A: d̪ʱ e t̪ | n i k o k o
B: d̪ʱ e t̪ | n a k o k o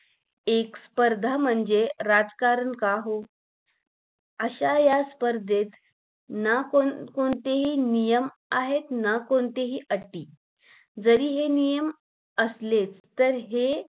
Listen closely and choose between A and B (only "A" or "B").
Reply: B